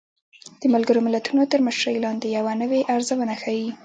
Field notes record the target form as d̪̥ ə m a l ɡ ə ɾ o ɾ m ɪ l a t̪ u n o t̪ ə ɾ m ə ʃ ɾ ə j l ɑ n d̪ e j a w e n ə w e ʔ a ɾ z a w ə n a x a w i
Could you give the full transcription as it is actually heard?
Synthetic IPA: d̪̥ ə m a l ɡ ə ɾ o m ɪ l a t̪ u n o t̪ ə ɾ m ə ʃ ɾ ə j l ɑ n d̪ e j a w a n ə w e ʔ a ɾ z a w ə n a x a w i